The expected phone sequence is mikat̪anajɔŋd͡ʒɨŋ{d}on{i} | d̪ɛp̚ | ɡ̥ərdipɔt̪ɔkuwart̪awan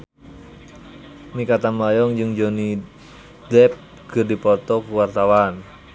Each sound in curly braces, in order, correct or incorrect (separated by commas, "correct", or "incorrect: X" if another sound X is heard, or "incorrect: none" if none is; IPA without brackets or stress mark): incorrect: d͡ʒ, correct